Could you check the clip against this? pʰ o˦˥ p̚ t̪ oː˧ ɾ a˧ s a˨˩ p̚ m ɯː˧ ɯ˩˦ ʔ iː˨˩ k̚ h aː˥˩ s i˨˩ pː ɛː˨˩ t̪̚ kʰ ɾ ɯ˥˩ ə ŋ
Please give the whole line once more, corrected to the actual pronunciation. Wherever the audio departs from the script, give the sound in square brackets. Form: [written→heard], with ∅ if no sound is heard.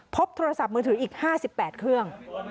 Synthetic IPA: pʰ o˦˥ p̚ [t̪→t̪ʰ] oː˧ ɾ a˧ s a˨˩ p̚ m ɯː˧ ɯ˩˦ ʔ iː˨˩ k̚ h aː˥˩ s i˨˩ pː ɛː˨˩ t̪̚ kʰ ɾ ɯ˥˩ ə ŋ